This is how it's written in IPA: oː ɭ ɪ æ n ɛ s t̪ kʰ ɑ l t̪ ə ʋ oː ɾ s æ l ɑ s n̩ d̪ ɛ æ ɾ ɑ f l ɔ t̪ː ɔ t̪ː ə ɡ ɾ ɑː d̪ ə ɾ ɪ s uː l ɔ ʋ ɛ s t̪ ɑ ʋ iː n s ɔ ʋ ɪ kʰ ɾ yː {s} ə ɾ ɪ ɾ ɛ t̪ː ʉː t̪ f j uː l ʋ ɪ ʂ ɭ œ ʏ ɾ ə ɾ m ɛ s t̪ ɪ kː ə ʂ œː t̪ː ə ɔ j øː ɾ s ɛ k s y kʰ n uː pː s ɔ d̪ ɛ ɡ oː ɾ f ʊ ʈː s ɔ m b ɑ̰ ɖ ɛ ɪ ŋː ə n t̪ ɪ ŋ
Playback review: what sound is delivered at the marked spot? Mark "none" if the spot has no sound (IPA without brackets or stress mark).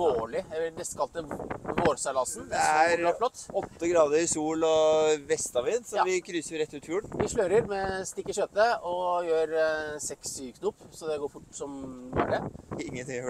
s